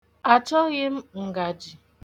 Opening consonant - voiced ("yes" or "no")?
no